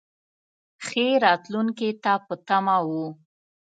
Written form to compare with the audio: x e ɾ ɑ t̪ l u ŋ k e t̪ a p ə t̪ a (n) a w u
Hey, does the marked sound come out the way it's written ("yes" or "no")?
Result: no